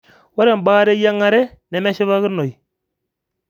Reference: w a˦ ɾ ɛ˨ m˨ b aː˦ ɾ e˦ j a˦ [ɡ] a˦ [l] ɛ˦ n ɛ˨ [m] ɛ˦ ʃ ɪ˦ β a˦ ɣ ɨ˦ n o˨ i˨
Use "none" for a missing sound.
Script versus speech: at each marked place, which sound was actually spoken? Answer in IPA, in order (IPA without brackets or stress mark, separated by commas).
ŋ, ɾ, m